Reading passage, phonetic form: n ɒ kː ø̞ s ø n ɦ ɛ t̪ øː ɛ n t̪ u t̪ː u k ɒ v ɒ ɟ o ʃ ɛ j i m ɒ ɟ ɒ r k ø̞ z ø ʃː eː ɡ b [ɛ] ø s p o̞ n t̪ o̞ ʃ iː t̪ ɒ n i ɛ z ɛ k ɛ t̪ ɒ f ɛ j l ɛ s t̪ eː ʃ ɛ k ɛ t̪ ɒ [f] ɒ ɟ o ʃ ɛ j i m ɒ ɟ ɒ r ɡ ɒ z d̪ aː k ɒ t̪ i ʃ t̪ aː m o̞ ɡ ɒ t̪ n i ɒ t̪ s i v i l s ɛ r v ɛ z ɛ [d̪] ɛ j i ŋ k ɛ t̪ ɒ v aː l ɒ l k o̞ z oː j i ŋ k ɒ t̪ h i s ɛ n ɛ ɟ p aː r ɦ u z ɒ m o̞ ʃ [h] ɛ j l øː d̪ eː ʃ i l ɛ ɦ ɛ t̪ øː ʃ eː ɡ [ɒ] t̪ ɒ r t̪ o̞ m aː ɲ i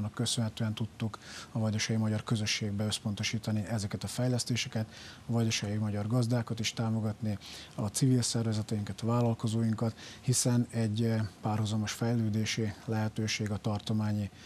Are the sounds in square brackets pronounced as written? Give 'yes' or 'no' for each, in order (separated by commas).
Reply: yes, no, no, no, yes